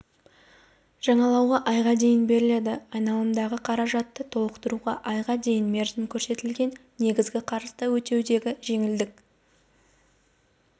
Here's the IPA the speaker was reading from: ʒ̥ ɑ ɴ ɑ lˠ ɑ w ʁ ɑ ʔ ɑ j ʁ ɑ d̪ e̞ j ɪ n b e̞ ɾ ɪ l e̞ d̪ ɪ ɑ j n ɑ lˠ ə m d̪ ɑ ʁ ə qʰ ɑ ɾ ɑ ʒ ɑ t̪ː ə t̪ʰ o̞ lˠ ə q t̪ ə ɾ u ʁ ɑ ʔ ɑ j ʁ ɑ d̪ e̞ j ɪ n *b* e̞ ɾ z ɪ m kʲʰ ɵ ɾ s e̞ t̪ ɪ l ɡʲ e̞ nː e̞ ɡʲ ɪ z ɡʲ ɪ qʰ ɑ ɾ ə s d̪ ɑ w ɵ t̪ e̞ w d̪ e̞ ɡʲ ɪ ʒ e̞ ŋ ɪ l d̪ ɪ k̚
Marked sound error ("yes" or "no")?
yes